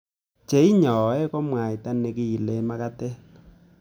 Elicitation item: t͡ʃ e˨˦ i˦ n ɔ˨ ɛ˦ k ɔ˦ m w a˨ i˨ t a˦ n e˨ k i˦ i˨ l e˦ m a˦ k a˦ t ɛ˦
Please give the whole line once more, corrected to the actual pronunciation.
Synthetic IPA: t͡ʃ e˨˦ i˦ ɲ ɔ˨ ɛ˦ k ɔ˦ m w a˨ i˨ t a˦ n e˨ k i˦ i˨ l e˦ m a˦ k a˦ t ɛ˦